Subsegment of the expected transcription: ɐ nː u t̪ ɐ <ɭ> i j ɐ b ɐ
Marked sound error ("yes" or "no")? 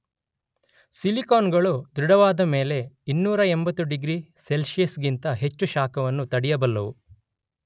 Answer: yes